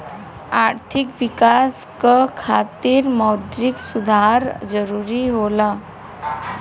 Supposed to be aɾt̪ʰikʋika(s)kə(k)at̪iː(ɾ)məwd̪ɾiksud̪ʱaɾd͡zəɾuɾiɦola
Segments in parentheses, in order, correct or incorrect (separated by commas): correct, incorrect, correct